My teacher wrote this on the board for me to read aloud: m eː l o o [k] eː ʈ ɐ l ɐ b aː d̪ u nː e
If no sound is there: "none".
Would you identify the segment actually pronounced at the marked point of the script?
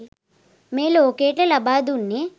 k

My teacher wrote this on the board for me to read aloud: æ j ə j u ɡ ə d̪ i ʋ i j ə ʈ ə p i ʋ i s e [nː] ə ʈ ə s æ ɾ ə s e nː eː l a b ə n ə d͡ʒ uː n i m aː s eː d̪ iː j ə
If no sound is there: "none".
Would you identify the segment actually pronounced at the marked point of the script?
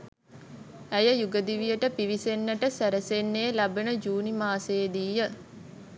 nː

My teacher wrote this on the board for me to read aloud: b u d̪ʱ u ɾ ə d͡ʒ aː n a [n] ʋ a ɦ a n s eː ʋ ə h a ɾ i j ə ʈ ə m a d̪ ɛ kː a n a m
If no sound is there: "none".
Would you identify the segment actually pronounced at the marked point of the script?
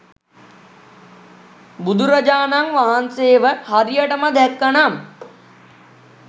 ŋ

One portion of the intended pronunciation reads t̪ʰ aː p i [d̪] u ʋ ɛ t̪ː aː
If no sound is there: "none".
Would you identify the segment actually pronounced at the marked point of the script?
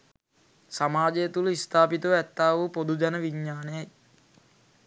t̪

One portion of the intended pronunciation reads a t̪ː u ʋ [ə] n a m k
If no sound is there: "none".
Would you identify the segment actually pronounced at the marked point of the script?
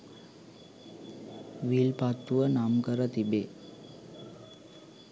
ə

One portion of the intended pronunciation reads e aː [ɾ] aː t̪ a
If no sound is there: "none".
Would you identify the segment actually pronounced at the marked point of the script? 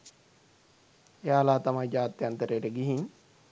l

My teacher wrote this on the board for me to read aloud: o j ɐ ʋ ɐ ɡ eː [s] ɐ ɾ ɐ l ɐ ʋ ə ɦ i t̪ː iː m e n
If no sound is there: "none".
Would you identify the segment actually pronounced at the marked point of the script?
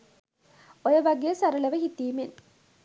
s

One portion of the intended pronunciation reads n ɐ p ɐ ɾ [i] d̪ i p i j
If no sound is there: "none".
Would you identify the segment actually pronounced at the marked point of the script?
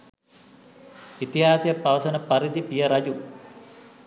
i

